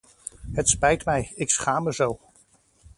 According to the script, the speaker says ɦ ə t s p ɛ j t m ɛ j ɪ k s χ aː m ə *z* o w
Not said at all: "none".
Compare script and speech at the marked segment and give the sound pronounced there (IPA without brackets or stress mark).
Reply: z